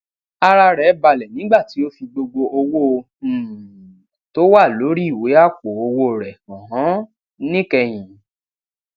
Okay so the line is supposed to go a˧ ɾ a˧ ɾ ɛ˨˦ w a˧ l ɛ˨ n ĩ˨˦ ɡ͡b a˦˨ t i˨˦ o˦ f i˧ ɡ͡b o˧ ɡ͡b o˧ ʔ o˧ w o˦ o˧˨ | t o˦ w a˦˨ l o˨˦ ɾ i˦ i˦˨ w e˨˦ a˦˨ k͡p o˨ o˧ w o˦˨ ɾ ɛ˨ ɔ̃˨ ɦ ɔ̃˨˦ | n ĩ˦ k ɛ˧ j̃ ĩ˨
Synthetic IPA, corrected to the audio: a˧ ɾ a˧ ɾ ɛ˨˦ b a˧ l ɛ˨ n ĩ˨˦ ɡ͡b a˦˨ t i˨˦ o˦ f i˧ ɡ͡b o˧ ɡ͡b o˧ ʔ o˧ w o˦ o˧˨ | t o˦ w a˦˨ l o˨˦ ɾ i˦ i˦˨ w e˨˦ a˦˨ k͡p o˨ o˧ w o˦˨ ɾ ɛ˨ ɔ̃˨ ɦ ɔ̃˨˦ | n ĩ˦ k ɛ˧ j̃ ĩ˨